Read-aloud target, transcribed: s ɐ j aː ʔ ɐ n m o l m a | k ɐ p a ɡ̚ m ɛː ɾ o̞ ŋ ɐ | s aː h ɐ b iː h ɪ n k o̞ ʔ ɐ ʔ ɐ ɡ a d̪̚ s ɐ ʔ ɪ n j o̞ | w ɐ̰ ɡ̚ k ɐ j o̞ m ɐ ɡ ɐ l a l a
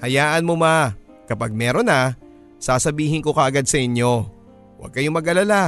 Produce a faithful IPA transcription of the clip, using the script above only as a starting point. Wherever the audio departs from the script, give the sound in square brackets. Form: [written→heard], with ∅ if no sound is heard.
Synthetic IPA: [s→h] ɐ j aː ʔ ɐ n m o [l→∅] m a | k ɐ p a ɡ̚ m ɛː ɾ o̞ [ŋ→n] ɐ | s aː [h→s] ɐ b iː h ɪ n k o̞ [ʔ→k] ɐ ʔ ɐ ɡ a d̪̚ s ɐ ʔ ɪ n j o̞ | w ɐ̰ ɡ̚ k ɐ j o̞ m ɐ ɡ ɐ l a l a